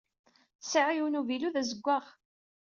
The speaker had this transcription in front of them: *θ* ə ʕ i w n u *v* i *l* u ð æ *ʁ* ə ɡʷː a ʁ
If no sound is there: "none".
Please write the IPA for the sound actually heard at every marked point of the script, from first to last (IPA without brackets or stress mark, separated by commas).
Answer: s, v, l, z